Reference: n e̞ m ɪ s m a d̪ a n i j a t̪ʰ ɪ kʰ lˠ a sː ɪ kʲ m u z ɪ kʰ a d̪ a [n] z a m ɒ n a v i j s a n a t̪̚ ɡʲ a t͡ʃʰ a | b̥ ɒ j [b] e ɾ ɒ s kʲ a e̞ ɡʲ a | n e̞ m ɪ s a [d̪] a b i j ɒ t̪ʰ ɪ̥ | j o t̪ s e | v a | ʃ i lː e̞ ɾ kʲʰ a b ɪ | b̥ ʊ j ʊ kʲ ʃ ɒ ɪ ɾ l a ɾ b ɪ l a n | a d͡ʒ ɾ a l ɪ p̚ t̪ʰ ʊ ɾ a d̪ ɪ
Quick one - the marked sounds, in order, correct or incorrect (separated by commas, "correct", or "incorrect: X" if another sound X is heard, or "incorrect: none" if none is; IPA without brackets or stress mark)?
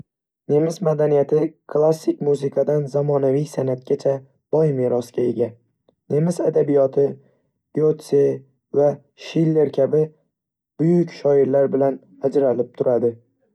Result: correct, incorrect: m, correct